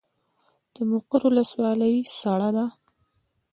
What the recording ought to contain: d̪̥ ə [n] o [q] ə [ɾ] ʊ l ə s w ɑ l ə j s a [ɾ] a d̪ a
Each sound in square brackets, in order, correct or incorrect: incorrect, correct, correct, incorrect

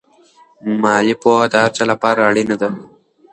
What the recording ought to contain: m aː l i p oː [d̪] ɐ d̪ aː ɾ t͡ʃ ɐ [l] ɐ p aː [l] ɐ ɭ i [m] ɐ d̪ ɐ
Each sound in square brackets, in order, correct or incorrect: incorrect, correct, incorrect, incorrect

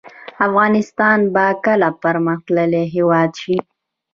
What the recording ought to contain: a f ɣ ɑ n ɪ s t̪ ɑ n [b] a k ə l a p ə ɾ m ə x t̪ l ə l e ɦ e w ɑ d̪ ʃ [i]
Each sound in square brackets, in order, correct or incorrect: correct, correct

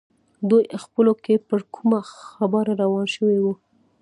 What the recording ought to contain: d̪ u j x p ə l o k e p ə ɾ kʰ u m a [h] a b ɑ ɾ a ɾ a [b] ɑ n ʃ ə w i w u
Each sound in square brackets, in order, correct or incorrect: incorrect, incorrect

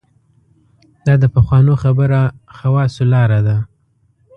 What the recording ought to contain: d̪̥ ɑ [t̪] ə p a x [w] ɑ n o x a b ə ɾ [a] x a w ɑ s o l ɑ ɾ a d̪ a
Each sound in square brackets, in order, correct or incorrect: incorrect, correct, correct

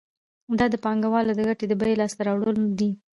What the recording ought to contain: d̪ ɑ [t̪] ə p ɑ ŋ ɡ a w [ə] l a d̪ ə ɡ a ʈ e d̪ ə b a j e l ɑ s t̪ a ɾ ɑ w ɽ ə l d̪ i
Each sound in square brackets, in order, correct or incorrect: incorrect, incorrect

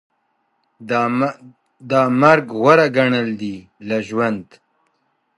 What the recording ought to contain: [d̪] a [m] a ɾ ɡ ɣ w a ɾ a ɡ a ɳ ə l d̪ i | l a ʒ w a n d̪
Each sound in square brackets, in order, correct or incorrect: correct, correct

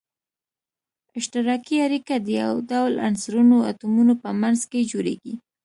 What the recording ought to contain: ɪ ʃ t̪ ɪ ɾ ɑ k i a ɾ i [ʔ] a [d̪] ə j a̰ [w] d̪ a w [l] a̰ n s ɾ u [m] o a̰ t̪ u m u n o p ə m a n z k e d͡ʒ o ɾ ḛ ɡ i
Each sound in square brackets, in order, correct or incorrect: incorrect, correct, correct, correct, incorrect

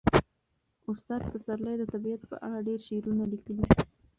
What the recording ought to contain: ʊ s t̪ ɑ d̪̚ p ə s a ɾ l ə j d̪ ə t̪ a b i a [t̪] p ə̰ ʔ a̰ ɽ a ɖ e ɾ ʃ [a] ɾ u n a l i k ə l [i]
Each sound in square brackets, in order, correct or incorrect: correct, incorrect, correct

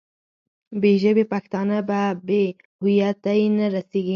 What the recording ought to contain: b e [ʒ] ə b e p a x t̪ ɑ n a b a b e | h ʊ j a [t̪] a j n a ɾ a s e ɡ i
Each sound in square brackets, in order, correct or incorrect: correct, correct

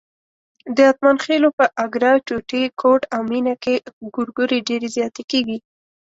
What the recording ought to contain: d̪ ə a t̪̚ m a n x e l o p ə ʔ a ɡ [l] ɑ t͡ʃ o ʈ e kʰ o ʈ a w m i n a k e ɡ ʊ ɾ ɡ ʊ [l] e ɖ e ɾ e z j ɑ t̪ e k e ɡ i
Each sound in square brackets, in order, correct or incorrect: incorrect, incorrect

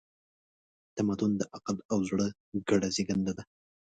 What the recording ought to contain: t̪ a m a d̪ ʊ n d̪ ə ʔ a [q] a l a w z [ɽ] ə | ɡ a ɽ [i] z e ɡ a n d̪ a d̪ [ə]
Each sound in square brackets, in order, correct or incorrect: correct, correct, incorrect, incorrect

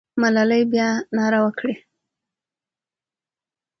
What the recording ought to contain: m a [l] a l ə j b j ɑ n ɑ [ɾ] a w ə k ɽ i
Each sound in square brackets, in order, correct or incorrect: correct, correct

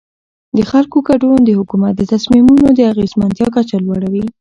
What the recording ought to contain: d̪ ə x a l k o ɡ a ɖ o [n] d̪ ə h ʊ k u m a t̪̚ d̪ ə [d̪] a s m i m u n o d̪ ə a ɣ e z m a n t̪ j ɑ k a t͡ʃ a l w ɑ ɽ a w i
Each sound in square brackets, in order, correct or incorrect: correct, incorrect

